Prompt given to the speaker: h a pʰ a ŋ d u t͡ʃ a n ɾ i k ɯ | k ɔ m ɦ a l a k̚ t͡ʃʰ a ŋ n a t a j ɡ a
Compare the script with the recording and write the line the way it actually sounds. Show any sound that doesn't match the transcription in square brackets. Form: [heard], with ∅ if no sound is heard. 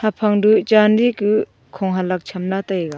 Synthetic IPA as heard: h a pʰ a ŋ d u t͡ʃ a n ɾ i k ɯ | [kʰ] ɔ [ŋ] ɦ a l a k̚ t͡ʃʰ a [m] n a t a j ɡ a